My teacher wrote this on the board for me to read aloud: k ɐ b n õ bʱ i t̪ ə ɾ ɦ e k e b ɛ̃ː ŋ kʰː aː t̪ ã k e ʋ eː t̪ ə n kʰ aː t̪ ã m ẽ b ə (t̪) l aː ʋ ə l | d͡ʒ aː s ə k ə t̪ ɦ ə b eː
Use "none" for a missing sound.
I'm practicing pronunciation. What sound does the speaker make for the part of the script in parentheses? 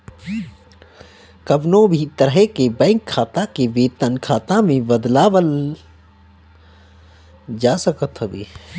d̪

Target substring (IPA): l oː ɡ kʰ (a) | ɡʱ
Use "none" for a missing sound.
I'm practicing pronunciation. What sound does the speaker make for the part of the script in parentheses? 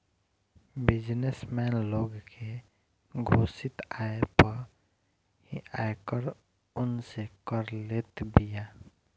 e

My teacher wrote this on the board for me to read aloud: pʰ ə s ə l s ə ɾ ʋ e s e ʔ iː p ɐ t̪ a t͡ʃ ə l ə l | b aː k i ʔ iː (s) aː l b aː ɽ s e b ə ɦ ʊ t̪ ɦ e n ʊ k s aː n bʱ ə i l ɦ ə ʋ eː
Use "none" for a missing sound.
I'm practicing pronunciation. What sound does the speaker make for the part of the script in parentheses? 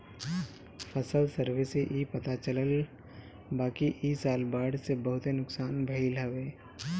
s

